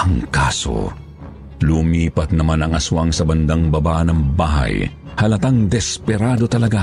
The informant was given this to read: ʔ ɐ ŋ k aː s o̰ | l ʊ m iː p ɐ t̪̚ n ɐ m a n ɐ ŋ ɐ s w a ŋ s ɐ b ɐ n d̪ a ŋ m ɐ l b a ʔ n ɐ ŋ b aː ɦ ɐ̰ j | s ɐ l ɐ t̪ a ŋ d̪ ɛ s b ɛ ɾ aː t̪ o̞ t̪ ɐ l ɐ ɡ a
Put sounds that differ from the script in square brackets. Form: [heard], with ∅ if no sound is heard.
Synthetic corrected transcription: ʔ ɐ ŋ k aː s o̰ | l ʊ m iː p ɐ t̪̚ n ɐ m a n ɐ ŋ ɐ s w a ŋ s ɐ b ɐ n d̪ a ŋ [b] ɐ [∅] b a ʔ n ɐ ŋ b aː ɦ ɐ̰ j | [h] ɐ l ɐ t̪ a ŋ d̪ ɛ s [p] ɛ ɾ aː [d̪] o̞ t̪ ɐ l ɐ ɡ a